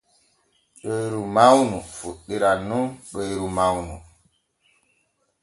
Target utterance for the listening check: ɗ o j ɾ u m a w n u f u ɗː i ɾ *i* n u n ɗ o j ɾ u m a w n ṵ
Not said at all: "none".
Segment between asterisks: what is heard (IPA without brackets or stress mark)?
a